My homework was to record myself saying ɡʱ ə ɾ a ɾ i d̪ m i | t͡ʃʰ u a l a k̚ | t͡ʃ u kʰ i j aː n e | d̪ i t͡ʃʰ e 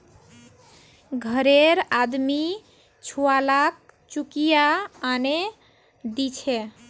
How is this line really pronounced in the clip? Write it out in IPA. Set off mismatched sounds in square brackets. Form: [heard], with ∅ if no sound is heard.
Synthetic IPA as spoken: ɡʱ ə ɾ [e] ɾ [a] d̪ m i | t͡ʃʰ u a l a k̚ | t͡ʃ u [k] i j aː n e | d̪ i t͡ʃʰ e